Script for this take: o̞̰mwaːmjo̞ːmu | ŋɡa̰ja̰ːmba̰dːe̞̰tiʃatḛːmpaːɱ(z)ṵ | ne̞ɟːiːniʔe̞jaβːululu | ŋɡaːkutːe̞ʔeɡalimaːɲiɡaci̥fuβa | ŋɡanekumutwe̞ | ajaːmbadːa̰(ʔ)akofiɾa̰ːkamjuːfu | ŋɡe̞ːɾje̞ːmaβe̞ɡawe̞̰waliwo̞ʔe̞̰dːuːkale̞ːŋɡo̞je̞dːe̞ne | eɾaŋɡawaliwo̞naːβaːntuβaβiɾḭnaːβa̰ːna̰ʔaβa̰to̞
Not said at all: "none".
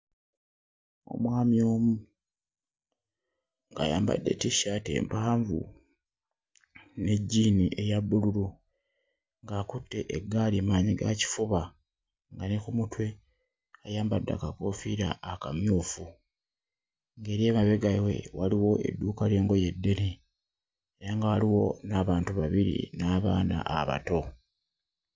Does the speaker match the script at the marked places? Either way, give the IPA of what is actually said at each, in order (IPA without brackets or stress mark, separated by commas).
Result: v, k